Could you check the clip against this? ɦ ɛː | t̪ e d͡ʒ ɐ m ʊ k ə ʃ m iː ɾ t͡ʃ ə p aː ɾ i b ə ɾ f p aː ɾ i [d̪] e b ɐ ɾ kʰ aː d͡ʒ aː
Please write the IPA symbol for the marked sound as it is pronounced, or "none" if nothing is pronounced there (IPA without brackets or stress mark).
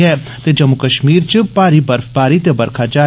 t̪